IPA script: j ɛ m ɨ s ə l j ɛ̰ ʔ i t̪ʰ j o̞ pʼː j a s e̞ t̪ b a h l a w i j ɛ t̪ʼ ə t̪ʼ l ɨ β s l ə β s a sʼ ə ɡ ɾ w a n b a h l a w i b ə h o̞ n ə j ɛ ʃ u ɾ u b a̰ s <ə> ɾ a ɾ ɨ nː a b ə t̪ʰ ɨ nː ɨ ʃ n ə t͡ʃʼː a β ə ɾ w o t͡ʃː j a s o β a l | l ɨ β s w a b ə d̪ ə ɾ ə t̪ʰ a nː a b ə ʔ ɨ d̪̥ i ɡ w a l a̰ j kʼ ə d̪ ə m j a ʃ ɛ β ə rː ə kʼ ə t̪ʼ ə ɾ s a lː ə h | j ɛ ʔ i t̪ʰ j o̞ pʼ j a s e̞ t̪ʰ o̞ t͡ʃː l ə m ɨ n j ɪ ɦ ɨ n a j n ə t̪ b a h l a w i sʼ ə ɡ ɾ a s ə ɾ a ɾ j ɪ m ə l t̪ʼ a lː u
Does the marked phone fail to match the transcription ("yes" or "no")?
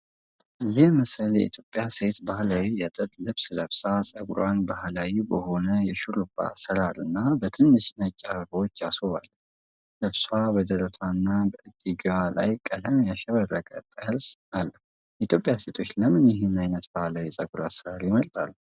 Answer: no